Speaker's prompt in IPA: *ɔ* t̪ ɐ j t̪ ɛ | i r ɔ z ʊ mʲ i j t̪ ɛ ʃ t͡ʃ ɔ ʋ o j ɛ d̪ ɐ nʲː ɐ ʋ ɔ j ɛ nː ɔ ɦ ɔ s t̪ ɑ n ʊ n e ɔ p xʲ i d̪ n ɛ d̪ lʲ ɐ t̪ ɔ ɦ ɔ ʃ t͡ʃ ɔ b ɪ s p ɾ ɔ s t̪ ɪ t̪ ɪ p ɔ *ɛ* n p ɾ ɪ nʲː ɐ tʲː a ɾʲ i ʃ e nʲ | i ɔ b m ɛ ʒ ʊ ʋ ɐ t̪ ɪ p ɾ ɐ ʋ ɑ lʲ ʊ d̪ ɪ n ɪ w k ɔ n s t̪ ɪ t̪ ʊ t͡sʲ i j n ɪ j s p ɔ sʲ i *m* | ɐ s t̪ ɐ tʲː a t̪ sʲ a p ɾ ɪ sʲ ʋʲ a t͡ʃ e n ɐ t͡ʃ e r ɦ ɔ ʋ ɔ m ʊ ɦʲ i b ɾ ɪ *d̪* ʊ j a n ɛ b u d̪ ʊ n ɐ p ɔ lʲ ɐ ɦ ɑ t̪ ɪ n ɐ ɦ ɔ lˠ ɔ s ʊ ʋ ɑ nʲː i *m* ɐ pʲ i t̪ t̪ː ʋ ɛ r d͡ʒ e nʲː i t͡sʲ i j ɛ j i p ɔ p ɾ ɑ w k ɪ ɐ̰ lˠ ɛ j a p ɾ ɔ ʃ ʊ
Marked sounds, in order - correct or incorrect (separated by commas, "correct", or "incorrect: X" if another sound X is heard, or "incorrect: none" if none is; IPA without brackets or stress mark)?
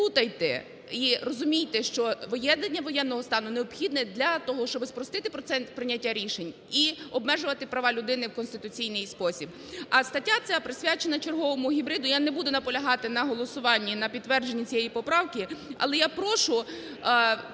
incorrect: u, correct, incorrect: b, correct, incorrect: n